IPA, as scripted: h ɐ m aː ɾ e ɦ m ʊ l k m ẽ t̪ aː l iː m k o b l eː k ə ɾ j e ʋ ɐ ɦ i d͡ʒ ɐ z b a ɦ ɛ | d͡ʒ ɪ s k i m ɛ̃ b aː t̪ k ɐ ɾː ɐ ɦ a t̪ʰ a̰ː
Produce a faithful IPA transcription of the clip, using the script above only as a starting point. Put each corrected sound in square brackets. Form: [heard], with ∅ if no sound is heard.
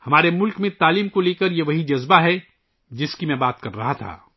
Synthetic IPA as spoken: h ɐ m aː ɾ e [∅] m ʊ l k m ẽ t̪ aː l iː m k o [∅] l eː k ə ɾ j e ʋ ɐ ɦ i d͡ʒ ɐ z b a ɦ ɛ | d͡ʒ ɪ s k i m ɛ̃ b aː t̪ k ɐ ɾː ɐ ɦ a t̪ʰ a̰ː